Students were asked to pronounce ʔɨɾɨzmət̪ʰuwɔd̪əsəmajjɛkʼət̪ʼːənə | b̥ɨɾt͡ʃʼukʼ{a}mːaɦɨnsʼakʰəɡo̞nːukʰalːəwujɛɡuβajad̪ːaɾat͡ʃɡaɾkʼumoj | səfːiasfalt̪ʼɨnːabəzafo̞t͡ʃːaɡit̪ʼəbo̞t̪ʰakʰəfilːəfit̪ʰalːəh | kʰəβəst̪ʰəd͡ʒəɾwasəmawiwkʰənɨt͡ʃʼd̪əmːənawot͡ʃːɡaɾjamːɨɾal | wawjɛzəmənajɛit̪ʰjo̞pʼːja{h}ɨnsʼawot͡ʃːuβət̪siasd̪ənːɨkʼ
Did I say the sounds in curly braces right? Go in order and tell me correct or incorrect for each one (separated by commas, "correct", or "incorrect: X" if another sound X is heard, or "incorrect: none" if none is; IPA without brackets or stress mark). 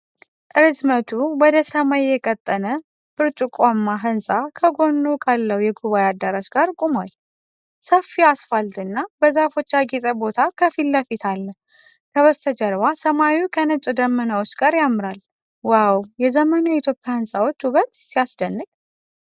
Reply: correct, correct